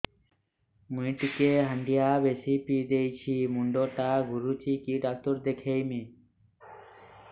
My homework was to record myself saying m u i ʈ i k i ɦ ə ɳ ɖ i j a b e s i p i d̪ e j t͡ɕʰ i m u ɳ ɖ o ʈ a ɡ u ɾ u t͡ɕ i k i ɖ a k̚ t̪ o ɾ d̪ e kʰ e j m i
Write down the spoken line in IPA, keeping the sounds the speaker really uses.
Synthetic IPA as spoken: m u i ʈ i k e ɦ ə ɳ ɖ i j a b e s i p i d̪ e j t͡ɕʰ i m u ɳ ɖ o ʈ a ɡ u ɾ u t͡ɕ i k i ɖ a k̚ t̪ o ɾ d̪ e kʰ e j m i